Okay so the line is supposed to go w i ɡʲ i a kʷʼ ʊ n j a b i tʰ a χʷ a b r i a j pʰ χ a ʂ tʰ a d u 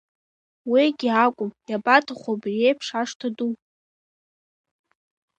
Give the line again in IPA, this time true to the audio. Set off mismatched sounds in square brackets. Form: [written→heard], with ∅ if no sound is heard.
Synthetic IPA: w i ɡʲ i a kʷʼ ʊ [n→m] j a b [i→a] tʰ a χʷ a b r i [a→e] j pʰ [χ→ʂ] a ʂ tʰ a d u